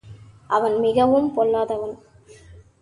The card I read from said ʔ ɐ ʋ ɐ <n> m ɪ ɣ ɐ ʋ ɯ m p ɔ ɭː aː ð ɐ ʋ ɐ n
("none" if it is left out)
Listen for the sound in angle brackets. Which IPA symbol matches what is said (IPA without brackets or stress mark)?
n